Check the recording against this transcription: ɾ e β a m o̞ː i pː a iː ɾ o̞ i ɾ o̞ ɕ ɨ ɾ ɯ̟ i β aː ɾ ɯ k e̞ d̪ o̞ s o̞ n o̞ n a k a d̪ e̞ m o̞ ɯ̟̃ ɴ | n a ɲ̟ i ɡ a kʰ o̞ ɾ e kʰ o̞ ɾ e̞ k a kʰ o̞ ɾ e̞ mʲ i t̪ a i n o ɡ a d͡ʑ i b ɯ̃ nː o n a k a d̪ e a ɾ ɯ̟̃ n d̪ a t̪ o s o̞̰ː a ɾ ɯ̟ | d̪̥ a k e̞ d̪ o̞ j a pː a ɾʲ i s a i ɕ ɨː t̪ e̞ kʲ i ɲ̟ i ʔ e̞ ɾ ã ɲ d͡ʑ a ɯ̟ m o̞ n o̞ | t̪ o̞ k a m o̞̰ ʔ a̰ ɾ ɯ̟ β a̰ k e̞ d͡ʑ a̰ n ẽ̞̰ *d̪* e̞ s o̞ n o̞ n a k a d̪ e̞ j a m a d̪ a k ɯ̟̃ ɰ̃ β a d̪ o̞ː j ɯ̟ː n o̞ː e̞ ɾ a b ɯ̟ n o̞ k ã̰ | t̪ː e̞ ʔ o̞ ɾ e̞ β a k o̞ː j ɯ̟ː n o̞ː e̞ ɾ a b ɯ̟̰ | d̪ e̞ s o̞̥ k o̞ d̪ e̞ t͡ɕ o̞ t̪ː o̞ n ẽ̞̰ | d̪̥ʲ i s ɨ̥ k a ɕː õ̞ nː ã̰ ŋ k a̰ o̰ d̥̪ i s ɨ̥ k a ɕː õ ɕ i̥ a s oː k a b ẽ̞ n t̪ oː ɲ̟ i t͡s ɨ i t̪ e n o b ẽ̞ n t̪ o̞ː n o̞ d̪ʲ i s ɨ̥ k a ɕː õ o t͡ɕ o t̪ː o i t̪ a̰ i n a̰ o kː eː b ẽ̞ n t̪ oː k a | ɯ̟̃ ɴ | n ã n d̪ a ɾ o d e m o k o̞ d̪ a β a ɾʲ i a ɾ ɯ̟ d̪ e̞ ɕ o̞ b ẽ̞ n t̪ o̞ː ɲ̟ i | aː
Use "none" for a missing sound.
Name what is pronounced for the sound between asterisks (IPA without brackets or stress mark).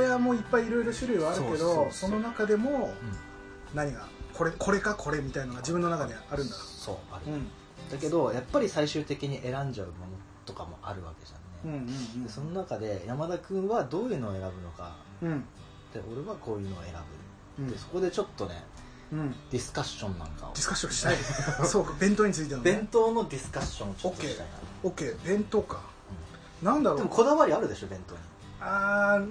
d̪